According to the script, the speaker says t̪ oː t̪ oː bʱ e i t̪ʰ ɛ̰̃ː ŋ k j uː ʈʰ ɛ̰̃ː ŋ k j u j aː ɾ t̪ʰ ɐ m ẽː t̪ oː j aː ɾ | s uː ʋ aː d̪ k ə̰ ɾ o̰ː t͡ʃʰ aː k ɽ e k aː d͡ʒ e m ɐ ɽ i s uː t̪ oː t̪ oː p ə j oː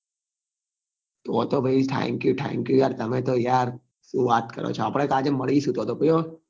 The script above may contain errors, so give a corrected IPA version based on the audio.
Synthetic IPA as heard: t̪ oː t̪ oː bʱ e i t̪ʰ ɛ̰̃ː ŋ k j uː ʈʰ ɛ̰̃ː ŋ k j u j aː ɾ t̪ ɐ m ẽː t̪ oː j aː ɾ | s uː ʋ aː t̪ k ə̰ ɾ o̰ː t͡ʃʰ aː p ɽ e k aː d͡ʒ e m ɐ ɽ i s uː t̪ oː t̪ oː p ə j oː